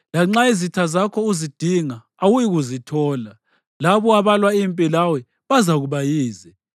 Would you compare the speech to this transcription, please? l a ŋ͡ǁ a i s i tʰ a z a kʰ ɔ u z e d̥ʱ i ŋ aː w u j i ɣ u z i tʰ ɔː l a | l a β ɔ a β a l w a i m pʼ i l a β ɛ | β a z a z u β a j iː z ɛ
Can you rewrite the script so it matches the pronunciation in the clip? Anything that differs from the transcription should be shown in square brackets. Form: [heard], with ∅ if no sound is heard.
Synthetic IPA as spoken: l a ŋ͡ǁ a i [z] i tʰ a z a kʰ ɔ u z [i] d̥ʱ i ŋ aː w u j i ɣ u z i tʰ ɔː l a | l a β ɔ a β a l w a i m pʼ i l a [w] ɛ | β a z a [ɣ] u β a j iː z ɛ